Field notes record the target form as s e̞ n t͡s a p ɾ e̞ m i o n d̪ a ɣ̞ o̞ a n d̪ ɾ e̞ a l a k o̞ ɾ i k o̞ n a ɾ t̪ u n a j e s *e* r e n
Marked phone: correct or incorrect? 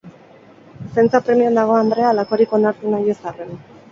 incorrect: a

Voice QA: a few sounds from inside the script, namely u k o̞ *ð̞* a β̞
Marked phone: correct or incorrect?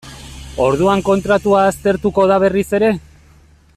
correct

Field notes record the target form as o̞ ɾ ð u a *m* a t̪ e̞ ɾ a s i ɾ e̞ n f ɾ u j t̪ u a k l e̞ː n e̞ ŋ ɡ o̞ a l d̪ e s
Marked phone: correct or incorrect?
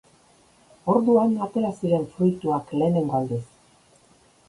incorrect: n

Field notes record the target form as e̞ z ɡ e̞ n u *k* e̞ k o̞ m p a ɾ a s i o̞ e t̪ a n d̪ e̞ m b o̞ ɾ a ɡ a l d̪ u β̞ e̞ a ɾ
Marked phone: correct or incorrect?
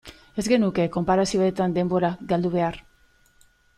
correct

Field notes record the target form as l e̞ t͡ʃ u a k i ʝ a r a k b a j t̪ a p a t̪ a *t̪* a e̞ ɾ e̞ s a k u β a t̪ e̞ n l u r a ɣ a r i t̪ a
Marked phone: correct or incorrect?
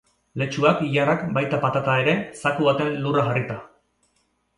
correct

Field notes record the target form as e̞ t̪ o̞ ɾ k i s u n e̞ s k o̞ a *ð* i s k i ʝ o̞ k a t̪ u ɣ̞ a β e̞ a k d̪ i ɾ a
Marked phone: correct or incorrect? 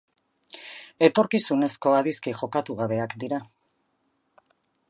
correct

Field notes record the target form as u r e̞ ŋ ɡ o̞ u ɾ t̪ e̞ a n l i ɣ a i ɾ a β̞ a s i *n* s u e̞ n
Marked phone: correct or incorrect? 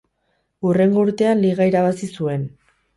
incorrect: none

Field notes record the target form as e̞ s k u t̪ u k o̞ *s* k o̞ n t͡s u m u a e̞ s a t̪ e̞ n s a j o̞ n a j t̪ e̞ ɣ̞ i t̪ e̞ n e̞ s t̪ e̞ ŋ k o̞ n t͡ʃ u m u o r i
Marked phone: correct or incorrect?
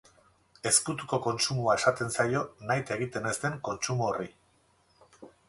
incorrect: none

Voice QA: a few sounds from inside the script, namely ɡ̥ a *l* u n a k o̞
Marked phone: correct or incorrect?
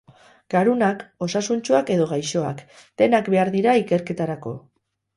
incorrect: ɾ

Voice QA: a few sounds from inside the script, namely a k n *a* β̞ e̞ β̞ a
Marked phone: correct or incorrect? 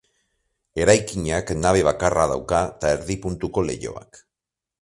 correct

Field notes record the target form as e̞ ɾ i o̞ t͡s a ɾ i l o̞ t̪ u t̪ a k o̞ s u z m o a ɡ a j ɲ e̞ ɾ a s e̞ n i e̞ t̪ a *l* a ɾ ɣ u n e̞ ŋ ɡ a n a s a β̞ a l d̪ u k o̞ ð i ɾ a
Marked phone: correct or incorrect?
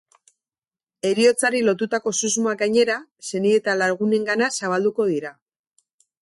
correct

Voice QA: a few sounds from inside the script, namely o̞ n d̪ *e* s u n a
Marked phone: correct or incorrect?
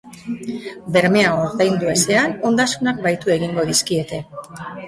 incorrect: a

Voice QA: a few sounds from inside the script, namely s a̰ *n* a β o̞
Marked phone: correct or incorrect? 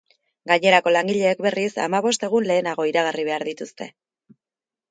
incorrect: m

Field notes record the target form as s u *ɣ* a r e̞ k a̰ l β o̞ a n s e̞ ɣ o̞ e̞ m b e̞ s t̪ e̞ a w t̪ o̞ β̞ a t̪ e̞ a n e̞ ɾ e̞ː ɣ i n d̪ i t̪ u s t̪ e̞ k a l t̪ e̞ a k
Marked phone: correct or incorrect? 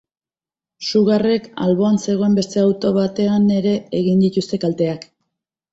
correct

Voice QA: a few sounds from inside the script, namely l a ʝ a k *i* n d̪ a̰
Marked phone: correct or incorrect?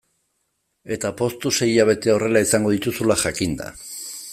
correct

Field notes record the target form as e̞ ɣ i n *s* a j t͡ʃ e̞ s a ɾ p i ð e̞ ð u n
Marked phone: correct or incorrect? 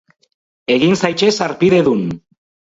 correct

